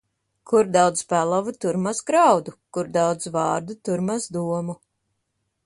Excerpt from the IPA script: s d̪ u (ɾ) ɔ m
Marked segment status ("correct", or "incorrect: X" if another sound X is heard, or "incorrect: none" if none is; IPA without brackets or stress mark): incorrect: none